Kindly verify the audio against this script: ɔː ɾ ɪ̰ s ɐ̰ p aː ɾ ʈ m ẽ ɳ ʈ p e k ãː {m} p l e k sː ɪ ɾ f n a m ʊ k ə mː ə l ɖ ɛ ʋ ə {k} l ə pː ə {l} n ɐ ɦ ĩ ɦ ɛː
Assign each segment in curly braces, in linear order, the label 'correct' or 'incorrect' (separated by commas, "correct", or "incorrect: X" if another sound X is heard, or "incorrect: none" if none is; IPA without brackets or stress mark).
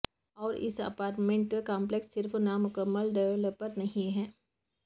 correct, incorrect: none, incorrect: ɾ